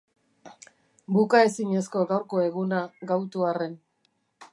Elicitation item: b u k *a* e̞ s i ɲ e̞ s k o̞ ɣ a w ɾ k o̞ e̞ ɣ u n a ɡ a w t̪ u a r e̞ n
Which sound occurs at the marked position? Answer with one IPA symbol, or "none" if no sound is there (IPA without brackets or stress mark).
a